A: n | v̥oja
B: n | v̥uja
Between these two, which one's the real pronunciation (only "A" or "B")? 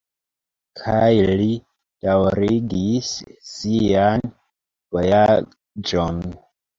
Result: A